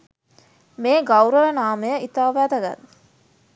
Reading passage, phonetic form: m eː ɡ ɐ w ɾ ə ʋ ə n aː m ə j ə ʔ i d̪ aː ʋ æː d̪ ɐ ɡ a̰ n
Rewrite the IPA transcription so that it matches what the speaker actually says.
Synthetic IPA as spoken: m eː ɡ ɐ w ɾ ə ʋ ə n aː m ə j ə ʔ i t̪ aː ʋ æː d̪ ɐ ɡ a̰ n

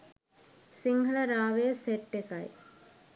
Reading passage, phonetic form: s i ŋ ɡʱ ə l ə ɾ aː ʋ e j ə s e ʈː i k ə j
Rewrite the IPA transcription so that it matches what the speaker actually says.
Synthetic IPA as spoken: s i ŋ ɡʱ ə l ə ɾ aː ʋ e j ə s e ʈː e k a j

